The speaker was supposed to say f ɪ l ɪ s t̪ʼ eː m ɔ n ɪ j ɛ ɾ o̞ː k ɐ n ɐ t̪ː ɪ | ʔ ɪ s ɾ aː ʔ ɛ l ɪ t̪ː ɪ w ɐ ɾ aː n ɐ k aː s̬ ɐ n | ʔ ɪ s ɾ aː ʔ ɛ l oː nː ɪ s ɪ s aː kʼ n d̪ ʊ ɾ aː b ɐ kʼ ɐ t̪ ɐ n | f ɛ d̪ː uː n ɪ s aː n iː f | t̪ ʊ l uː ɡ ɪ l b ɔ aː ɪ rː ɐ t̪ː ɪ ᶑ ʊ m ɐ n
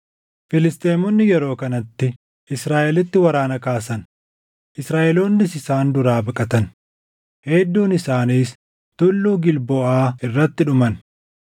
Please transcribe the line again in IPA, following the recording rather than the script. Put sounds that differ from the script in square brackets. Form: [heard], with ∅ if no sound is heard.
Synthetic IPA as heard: f ɪ l ɪ s t̪ʼ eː m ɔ [nː] ɪ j ɛ ɾ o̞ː k ɐ n ɐ t̪ː ɪ | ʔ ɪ s ɾ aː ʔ ɛ l ɪ t̪ː ɪ w ɐ ɾ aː n ɐ k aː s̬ ɐ n | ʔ ɪ s ɾ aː ʔ ɛ l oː nː ɪ s ɪ s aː [∅] n d̪ ʊ ɾ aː b ɐ kʼ ɐ t̪ ɐ n | [h] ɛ d̪ː uː n ɪ s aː n iː [s] | t̪ ʊ [lː] uː ɡ ɪ l b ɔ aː ɪ rː ɐ t̪ː ɪ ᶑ ʊ m ɐ n